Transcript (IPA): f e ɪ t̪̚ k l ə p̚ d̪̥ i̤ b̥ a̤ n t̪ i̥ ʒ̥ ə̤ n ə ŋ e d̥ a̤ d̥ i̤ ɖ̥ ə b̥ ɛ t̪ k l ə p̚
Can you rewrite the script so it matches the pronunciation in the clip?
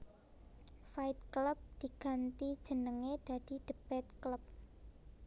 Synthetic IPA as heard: f a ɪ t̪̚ k l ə p̚ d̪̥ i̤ ɡ̥ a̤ n t̪ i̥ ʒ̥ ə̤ n ə ŋ e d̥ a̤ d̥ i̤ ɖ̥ ə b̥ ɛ t̪ k l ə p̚